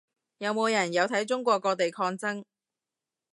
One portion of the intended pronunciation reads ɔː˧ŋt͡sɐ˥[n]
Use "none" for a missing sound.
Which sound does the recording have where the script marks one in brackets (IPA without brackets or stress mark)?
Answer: ŋ